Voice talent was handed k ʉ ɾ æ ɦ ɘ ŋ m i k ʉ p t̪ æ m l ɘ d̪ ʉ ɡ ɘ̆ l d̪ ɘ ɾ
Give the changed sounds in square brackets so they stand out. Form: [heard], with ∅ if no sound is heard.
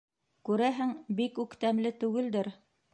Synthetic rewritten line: k ʉ ɾ æ ɦ ɘ ŋ [b] i k ʉ [k] t̪ æ m l ɘ [t̪] ʉ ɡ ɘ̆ l d̪ ɘ ɾ